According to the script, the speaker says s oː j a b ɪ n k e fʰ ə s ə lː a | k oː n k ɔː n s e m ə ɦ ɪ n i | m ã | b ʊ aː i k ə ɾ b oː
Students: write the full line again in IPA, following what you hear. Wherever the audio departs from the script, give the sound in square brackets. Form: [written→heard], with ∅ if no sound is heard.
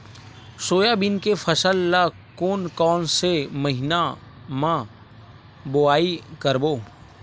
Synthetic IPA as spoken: s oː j a b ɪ n k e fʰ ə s ə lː a | k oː n k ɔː n s e m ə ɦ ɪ n [i→a] | m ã | b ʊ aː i k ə ɾ b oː